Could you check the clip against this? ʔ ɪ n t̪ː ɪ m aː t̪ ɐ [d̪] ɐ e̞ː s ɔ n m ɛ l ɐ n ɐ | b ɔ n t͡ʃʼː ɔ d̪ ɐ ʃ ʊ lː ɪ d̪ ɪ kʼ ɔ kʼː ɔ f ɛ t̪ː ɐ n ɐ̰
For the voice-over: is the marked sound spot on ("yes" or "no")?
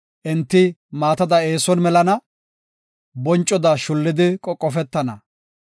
yes